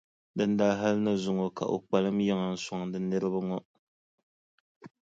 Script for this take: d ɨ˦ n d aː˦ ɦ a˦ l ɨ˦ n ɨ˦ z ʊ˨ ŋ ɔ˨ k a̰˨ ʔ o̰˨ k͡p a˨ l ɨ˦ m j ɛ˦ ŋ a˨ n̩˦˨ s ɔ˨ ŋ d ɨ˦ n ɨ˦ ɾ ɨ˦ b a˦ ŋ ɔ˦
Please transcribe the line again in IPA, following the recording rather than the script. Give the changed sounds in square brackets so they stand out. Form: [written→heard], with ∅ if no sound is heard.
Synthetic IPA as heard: d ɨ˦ n d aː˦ ɦ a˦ l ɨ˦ n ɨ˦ z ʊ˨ ŋ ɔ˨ k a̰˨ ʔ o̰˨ k͡p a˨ l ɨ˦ m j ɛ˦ ŋ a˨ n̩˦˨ s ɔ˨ ŋ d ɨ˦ n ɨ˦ ɾ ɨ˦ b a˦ ŋ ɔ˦